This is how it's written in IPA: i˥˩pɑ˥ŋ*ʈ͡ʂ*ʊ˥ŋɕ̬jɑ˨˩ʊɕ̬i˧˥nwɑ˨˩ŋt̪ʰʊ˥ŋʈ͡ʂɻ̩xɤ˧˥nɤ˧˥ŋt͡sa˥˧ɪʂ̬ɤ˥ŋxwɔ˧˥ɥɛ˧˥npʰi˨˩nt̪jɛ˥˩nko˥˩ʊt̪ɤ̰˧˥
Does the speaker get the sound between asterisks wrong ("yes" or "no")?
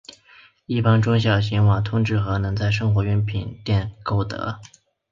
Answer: no